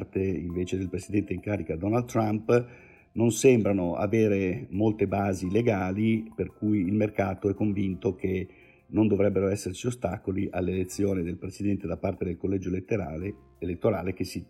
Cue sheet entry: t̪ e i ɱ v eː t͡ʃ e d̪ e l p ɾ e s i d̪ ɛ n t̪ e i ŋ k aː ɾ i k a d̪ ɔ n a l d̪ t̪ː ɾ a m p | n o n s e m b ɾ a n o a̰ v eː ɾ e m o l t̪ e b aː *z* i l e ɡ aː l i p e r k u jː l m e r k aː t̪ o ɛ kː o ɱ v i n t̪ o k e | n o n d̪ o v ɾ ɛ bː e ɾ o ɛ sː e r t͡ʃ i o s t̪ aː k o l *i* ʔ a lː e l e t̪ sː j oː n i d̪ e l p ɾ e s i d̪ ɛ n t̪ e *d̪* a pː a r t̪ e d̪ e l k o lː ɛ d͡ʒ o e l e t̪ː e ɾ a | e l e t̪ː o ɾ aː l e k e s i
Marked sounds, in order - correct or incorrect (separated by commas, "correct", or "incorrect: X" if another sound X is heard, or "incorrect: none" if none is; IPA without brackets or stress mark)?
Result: correct, correct, correct